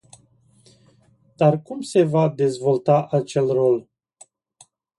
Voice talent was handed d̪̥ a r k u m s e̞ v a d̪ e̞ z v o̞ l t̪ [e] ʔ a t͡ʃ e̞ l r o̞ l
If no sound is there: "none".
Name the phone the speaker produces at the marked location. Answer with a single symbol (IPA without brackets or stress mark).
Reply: a